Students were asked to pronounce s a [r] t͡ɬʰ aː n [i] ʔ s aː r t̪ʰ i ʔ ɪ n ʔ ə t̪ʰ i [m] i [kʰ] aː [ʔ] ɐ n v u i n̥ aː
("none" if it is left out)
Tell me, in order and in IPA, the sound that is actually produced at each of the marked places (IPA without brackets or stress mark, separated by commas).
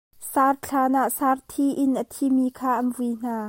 r, a, m, kʰ, ʔ